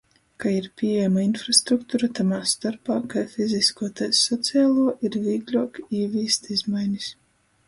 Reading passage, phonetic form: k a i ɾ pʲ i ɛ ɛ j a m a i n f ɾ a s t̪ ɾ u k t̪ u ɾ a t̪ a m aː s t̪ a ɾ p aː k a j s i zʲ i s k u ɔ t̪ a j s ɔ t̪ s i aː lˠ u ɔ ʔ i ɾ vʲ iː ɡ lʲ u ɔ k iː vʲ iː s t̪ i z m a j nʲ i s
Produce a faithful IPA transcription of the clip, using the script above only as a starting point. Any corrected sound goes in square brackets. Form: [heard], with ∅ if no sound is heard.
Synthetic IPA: k a i ɾ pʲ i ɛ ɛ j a m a i n f ɾ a s t̪ ɾ u k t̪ u ɾ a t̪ a m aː s t̪ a ɾ p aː k a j [f] i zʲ i s k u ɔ t̪ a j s ɔ t̪ s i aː lˠ u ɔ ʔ i ɾ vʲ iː ɡ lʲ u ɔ k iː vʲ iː s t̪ i z m a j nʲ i s